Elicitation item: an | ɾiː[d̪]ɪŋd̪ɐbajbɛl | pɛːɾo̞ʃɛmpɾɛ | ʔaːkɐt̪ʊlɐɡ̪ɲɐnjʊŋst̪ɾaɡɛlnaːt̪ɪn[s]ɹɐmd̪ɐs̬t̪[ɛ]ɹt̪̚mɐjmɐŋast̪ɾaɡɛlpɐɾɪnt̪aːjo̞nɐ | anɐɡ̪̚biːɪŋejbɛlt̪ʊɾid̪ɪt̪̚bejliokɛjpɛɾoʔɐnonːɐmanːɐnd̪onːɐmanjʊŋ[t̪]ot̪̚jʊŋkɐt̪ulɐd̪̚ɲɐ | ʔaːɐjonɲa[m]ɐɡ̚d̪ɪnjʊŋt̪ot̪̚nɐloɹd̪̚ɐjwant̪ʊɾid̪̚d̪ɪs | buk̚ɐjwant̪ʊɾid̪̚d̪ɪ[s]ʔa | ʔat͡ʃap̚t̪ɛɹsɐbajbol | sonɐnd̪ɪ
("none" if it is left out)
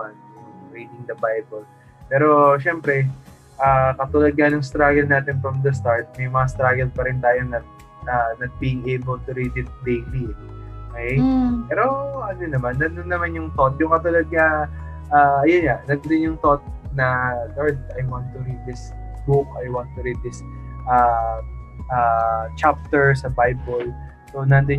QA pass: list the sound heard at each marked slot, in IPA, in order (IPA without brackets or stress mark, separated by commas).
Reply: d̪, f, a, t̪, n, s